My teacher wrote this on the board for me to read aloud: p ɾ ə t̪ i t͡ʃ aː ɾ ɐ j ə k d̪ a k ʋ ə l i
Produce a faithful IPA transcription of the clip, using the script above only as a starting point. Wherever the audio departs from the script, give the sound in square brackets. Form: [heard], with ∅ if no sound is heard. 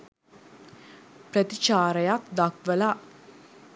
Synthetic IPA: p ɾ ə t̪ i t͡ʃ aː ɾ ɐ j [a] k d̪ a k ʋ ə l [a]